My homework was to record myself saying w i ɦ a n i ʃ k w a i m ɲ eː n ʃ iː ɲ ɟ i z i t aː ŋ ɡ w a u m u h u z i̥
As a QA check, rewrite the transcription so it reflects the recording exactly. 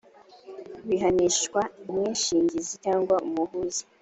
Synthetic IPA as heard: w i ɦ a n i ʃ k w a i m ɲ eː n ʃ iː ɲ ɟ i z i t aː ŋ ɡ w a u m u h u z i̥